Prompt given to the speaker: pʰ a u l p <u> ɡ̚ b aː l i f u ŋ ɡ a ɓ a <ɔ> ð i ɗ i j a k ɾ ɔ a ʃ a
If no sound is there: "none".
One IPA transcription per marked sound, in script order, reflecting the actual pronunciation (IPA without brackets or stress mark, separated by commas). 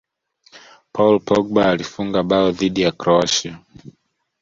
ɔ, ɔ